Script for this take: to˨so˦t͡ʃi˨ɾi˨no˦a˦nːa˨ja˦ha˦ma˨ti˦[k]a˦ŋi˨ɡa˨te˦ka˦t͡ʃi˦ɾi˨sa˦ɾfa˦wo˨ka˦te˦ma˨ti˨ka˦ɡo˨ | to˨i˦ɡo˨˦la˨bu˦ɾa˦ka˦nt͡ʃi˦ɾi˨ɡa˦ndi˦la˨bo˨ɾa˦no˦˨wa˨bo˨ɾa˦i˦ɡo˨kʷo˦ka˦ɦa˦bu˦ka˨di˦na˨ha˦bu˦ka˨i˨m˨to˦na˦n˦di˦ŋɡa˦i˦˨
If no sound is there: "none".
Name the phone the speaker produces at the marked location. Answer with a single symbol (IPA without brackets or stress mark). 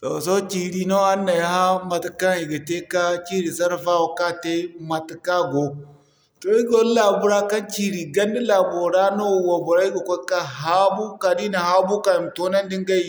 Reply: k